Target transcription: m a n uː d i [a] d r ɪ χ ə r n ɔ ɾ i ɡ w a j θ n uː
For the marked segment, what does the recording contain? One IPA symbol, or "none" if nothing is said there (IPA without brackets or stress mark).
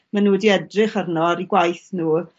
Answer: ɛ